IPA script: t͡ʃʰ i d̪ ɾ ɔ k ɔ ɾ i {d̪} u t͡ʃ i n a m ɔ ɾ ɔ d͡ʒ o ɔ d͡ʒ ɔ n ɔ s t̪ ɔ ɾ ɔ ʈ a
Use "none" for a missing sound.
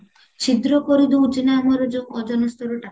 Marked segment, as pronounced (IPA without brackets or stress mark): d̪